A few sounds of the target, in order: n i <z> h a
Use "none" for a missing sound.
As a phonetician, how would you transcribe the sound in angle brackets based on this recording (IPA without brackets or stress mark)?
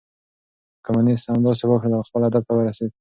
s